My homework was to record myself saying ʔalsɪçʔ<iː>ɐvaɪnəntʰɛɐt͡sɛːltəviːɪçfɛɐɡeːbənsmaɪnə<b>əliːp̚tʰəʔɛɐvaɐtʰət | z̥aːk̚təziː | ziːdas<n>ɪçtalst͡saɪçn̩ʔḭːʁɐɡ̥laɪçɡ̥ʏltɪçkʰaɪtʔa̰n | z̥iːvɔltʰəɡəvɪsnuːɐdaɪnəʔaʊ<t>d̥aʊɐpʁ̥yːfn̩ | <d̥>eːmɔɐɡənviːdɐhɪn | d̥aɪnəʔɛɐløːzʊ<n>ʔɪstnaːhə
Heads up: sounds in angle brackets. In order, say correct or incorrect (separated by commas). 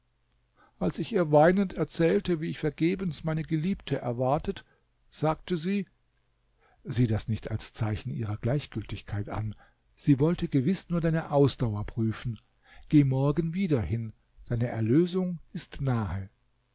correct, incorrect, correct, incorrect, incorrect, incorrect